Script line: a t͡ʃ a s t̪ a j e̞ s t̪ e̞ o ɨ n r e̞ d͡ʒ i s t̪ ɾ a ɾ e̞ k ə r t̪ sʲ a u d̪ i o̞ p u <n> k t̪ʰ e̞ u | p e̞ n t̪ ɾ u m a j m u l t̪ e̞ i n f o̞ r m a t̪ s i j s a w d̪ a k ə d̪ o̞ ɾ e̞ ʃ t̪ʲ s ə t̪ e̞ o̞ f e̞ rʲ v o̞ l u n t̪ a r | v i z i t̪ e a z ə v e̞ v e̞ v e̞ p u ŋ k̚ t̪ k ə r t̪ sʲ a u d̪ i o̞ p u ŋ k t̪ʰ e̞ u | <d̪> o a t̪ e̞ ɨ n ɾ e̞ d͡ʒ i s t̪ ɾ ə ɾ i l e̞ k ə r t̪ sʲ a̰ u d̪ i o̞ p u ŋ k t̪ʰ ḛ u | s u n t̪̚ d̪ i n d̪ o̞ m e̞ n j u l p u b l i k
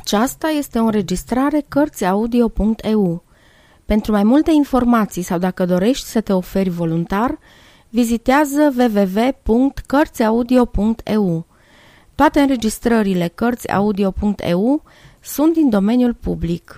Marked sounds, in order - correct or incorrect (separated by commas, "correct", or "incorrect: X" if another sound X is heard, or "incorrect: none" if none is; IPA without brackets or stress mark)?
incorrect: ŋ, incorrect: t̪